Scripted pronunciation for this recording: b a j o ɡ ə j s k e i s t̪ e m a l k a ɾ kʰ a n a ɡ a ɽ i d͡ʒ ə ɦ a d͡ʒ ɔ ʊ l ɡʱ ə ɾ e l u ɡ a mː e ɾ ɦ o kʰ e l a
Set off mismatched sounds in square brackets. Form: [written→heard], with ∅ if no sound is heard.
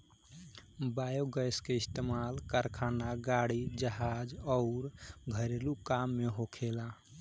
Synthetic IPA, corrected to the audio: b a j o ɡ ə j s k e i s t̪ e m a l k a ɾ kʰ a n a ɡ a ɽ i d͡ʒ ə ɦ a d͡ʒ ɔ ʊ [l→ɾ] ɡʱ ə ɾ e l u [ɡ→k] a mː e [ɾ→∅] ɦ o kʰ e l a